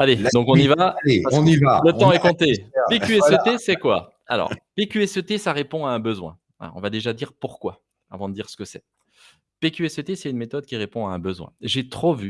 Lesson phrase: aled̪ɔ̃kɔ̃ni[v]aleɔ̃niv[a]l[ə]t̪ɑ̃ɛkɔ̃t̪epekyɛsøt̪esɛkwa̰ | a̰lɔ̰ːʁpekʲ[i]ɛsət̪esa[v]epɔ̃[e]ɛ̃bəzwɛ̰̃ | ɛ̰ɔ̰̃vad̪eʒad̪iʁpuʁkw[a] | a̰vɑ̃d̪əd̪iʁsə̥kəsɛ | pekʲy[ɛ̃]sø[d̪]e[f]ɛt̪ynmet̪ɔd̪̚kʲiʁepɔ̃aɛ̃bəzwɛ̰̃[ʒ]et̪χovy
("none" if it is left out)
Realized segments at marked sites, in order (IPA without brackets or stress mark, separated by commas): v, a, ə, y, ʁ, a, a, ɛ, t̪, s, ʒ